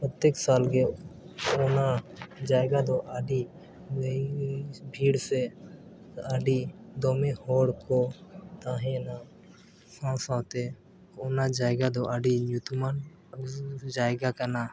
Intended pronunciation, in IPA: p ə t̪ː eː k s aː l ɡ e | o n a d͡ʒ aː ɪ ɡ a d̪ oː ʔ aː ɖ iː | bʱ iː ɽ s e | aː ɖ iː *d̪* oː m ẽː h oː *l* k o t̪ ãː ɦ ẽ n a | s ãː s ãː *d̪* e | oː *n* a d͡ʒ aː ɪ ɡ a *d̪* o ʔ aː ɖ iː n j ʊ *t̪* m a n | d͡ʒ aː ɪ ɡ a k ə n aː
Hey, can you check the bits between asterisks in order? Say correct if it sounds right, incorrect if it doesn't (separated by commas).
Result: correct, incorrect, incorrect, correct, correct, correct